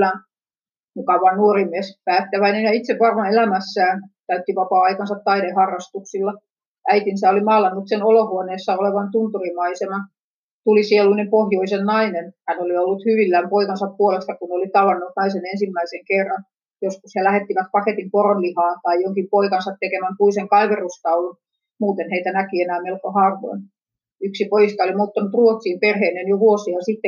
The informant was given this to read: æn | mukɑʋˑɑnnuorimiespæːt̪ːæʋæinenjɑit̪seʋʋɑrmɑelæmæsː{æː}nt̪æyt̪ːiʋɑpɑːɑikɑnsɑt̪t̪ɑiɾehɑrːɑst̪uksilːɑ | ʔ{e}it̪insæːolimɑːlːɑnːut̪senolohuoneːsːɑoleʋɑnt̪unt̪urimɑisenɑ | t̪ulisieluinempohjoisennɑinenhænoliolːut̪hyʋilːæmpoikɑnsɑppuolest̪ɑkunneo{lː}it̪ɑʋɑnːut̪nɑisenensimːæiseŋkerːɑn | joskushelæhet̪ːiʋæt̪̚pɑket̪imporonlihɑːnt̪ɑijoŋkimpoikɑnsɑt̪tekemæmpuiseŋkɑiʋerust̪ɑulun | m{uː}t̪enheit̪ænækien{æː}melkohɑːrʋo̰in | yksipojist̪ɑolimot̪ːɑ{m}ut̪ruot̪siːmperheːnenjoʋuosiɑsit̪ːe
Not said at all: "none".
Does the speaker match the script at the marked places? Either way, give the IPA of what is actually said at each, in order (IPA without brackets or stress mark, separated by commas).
æː, æ, l, uː, æː, n